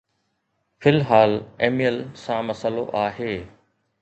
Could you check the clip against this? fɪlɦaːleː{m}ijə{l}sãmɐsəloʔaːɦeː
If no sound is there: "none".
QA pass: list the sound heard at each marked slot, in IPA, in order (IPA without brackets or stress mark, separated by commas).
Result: m, l